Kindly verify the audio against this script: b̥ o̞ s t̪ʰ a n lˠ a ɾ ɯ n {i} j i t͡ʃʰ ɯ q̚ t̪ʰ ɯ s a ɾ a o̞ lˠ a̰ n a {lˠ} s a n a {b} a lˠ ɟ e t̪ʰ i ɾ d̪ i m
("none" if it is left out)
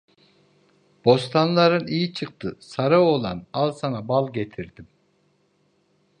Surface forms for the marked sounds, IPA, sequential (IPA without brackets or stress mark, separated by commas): i, lˠ, b